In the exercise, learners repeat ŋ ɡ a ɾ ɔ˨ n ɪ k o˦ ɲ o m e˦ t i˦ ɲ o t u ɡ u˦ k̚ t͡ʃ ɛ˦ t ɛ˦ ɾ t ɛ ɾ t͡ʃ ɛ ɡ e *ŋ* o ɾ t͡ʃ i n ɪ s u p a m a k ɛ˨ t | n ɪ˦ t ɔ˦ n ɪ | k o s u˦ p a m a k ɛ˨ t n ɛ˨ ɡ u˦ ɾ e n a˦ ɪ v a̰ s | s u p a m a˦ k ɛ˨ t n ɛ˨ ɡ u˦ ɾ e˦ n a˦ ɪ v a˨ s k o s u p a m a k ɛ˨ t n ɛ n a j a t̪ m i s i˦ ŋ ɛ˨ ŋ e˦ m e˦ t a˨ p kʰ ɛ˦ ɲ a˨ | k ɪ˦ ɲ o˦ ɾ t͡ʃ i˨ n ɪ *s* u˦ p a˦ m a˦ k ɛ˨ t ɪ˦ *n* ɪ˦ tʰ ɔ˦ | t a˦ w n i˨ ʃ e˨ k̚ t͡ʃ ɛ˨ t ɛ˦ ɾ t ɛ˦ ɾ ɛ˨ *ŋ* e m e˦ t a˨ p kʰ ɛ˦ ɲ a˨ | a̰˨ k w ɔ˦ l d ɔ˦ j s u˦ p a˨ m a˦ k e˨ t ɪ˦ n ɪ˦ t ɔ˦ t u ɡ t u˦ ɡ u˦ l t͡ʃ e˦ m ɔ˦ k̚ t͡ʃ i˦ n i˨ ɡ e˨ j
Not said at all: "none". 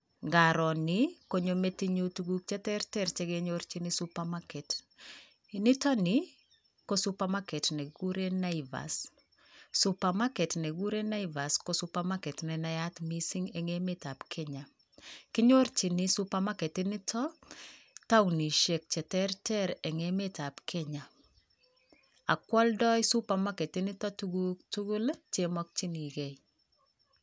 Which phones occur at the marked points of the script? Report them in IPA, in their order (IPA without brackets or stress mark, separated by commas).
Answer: ɲ, s, n, ŋ